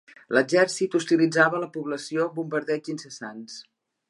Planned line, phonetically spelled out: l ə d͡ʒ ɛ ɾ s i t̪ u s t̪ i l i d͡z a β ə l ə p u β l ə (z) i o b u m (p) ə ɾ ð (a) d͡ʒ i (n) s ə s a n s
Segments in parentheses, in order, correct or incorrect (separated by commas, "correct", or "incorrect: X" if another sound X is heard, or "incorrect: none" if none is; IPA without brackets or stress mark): incorrect: s, incorrect: b, incorrect: ɛ, correct